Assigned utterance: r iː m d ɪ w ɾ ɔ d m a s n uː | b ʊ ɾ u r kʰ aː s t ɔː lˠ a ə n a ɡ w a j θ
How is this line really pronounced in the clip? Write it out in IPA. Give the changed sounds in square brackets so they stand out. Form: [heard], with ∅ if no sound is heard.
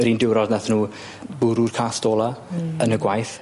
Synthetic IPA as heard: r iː [n] d ɪ w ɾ ɔ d [n] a [θ] n uː | b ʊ ɾ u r kʰ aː s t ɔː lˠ a ə n [ə] ɡ w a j θ

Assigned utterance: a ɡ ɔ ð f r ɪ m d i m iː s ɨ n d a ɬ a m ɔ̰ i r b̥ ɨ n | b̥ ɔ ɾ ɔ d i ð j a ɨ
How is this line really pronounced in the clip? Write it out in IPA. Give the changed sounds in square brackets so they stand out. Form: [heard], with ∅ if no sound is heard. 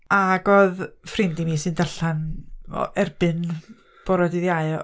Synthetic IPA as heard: a ɡ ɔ ð f r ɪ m d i m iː s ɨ n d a ɬ a [n] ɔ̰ [ɛ] r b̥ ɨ n | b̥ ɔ ɾ ɔ d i ð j a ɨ

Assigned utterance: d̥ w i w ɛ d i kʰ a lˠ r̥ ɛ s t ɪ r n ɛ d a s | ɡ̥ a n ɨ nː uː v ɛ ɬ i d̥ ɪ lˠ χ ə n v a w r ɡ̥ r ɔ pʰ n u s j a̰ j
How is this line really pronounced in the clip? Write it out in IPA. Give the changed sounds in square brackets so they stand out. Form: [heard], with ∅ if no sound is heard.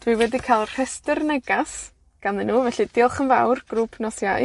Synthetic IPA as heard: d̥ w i w ɛ d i kʰ a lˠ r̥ ɛ s t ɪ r n ɛ [ɡ] a s | ɡ̥ a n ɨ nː uː v ɛ ɬ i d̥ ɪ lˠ χ ə n v a w r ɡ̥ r [u] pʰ n [ɔ] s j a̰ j

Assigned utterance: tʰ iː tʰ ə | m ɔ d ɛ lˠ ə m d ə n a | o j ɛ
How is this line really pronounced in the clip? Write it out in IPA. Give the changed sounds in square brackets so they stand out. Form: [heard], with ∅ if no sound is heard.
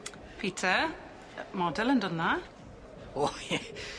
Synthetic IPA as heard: [pʰ] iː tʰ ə | m ɔ d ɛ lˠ ə [n] d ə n a | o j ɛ

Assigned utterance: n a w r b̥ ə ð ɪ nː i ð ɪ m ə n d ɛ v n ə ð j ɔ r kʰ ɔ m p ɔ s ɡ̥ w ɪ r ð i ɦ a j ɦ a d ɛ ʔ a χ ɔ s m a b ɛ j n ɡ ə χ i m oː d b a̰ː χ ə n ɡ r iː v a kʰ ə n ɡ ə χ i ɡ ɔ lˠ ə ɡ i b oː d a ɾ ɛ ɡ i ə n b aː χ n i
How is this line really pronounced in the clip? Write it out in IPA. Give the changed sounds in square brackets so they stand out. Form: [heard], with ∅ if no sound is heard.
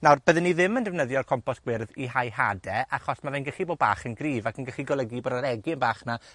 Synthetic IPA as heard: n a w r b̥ ə ð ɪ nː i ð ɪ m ə n d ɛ v n ə ð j ɔ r kʰ ɔ m p ɔ s ɡ̥ w ɪ r ð i ɦ a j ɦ a d ɛ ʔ a χ ɔ s m a [v] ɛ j n ɡ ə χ i [b] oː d b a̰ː χ ə n ɡ r iː v a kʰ ə n ɡ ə χ i ɡ ɔ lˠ ə ɡ i b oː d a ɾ ɛ ɡ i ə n b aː χ n [a]

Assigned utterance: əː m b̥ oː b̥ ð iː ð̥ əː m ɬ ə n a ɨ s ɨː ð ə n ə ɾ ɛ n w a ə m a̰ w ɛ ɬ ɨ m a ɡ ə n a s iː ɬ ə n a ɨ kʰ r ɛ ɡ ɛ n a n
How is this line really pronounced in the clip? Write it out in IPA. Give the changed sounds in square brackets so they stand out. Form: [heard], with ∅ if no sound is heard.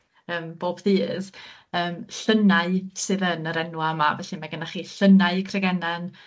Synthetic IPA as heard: əː m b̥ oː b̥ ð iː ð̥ əː m ɬ ə n a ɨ s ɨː ð ə n ə ɾ ɛ n w a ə m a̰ [v] ɛ ɬ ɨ m a ɡ ə n a [χ] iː ɬ ə n a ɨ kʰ r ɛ ɡ ɛ n a n

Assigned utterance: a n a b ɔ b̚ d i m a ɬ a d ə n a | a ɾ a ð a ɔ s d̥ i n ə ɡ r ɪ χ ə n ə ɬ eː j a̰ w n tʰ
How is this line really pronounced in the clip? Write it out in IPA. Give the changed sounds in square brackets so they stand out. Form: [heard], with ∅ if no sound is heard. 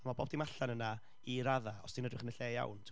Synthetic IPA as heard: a [m] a b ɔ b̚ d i m a ɬ a [n] ə n a | [i] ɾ a ð a ɔ s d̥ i n ə [d] r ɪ χ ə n ə ɬ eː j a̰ w n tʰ

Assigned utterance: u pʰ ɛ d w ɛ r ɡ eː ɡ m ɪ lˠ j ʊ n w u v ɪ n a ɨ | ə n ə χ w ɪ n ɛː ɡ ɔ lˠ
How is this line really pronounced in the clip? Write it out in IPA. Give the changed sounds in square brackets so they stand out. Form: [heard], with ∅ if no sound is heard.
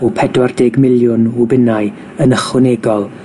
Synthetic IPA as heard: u pʰ ɛ d w [a] r [d] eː ɡ m ɪ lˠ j ʊ n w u [b] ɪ n a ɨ | ə n ə χ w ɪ n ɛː ɡ ɔ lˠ

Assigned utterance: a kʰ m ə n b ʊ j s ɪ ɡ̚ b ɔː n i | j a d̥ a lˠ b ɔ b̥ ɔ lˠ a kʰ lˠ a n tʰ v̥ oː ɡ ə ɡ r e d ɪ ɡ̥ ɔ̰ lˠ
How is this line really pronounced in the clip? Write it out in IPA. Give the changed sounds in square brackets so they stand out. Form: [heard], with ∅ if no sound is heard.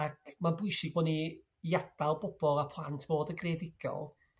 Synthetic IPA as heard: a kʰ m [a] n b ʊ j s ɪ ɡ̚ b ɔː n i | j a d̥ a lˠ b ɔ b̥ ɔ lˠ a [pʰ] lˠ a n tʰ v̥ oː [d] ə ɡ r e d ɪ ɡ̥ ɔ̰ lˠ

